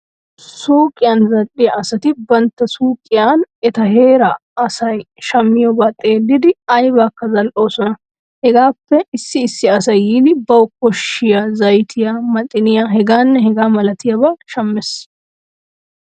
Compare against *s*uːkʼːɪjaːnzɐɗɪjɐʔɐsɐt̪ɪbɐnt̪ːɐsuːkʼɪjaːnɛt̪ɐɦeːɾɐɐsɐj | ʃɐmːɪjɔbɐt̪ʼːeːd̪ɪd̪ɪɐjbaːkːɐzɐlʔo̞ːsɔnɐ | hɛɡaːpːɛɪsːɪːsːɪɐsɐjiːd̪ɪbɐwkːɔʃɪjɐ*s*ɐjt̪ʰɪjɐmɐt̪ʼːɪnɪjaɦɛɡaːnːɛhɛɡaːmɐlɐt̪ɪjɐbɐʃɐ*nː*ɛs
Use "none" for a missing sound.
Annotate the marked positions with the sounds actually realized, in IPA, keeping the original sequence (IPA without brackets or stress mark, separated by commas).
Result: s, z, mː